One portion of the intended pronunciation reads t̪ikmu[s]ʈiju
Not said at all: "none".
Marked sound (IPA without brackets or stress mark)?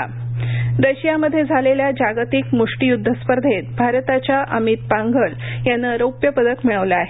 ʂ